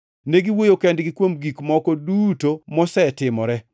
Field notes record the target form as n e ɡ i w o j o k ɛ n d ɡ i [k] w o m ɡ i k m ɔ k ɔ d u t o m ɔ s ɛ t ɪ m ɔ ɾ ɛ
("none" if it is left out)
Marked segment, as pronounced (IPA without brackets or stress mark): k